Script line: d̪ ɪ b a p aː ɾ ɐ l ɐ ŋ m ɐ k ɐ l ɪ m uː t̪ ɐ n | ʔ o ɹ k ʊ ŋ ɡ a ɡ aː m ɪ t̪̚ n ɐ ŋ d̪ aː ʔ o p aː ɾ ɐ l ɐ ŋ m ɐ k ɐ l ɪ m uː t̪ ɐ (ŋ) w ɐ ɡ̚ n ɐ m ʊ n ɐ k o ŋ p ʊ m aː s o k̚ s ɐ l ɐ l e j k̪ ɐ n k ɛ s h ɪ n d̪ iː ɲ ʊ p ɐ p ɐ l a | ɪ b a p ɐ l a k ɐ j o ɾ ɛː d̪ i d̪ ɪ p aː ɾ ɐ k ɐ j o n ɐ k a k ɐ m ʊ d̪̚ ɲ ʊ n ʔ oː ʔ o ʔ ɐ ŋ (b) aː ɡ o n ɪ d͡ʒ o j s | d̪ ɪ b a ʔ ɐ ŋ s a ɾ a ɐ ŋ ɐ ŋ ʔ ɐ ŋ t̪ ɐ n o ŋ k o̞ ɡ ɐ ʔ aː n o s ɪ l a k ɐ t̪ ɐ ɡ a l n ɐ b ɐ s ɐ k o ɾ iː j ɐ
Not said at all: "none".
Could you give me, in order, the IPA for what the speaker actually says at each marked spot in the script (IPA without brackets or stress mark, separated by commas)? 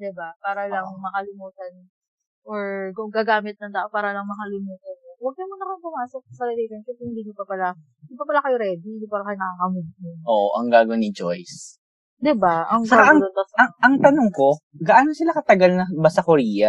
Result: n, ɡ